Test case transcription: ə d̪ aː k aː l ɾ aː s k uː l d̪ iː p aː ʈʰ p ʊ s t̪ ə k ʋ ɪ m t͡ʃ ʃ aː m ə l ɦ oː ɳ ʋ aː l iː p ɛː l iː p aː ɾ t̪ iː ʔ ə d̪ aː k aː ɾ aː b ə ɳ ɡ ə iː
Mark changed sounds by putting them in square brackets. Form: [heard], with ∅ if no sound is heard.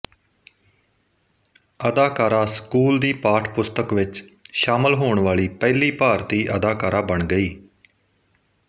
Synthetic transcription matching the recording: ə d̪ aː k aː [∅] ɾ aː s k uː l d̪ iː p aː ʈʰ p ʊ s t̪ ə k ʋ ɪ [∅] t͡ʃ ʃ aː m ə l ɦ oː ɳ ʋ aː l iː p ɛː l iː p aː ɾ t̪ iː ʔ ə d̪ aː k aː ɾ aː b ə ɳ ɡ ə iː